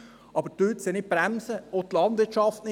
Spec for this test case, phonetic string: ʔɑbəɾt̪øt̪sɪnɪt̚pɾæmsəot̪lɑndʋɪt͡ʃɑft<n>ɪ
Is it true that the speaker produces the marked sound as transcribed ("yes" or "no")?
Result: yes